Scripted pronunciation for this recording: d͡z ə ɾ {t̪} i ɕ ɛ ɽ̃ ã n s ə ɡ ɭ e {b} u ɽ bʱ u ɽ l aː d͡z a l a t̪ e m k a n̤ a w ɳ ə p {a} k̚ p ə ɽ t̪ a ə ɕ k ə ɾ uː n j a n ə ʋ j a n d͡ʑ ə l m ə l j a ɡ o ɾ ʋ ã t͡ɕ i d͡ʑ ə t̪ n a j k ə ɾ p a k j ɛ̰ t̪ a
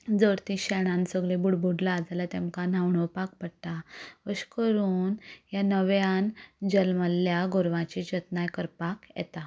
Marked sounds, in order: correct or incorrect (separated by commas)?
correct, correct, correct